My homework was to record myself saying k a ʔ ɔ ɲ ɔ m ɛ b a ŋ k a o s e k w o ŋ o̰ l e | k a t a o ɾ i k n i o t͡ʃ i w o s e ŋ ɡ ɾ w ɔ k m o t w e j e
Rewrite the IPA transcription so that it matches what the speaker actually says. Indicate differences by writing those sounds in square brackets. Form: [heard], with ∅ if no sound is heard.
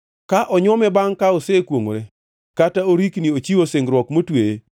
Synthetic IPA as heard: k a ʔ ɔ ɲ ɔ m ɛ b a ŋ k a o s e k w o ŋ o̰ [ɾ] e | k a t a o ɾ i k n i o t͡ʃ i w o s e ŋ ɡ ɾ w ɔ k m o t w e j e